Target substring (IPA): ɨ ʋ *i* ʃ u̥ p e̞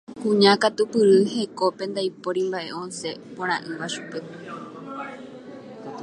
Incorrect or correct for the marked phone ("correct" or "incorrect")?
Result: incorrect